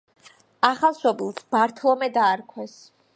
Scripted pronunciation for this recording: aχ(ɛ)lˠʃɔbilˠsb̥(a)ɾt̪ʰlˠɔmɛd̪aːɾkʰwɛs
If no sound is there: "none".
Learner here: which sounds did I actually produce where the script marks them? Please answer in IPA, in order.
a, a

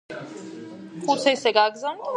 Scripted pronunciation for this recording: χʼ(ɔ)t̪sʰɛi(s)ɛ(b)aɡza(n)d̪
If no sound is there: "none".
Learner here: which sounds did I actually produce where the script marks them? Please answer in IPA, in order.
u, s, ɡ, n

